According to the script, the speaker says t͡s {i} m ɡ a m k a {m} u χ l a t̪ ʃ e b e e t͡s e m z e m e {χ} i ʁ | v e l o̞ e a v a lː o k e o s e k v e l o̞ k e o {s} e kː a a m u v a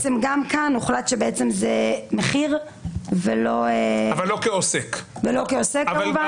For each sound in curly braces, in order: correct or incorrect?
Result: incorrect: e, incorrect: n, correct, correct

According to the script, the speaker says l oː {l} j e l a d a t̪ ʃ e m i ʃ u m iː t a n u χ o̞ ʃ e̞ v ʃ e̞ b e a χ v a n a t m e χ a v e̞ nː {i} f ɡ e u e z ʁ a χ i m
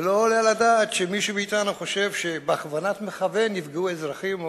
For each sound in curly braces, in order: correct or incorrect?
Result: correct, correct

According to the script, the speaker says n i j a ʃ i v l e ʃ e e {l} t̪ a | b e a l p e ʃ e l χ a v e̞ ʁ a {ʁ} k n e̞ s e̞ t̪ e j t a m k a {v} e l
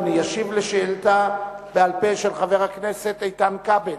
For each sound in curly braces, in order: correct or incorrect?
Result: correct, incorrect: none, incorrect: b

